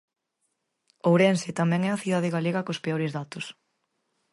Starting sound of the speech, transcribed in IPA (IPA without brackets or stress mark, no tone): o